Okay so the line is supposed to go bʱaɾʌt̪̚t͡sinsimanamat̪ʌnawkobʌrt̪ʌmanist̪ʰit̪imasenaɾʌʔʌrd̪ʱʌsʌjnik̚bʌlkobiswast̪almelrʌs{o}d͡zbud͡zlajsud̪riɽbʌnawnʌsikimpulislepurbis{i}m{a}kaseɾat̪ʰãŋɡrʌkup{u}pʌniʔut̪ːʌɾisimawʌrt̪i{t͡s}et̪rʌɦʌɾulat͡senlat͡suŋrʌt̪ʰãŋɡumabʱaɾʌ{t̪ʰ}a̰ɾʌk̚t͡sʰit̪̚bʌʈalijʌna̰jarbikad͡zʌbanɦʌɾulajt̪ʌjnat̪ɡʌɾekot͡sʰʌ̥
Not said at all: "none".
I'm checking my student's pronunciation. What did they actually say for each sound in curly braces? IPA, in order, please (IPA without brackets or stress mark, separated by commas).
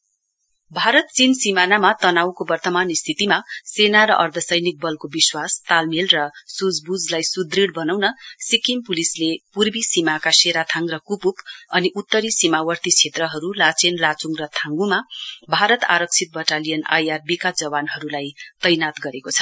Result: u, i, a, u, t͡sʰ, t̪